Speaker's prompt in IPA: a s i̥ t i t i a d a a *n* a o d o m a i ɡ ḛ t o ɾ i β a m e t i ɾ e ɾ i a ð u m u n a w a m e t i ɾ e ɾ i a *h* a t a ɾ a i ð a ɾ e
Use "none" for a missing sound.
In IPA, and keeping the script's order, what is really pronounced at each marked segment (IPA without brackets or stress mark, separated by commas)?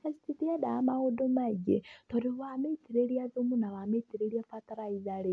m, f